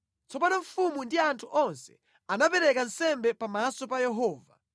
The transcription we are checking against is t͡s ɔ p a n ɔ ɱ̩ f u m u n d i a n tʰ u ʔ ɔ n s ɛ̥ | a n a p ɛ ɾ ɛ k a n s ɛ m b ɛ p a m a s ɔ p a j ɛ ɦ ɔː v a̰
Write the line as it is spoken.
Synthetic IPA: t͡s ɔ p a n ɔ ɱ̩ f u m u n d i a n tʰ u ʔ ɔ n s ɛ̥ | a n a p ɛ ɾ ɛ k a n s ɛ m b ɛ p a m a s ɔ p a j ɛ ɦ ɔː v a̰